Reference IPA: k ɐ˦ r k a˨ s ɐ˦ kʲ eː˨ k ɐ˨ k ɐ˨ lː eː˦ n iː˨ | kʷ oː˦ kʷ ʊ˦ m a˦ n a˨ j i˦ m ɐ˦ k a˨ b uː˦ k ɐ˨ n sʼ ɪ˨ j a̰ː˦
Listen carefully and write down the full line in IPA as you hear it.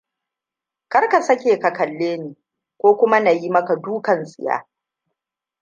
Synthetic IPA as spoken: k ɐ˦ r k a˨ s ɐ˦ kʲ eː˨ k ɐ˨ k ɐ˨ lː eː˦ n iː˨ | kʷ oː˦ kʷ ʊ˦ m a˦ n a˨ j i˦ m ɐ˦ k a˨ d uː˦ k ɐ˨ n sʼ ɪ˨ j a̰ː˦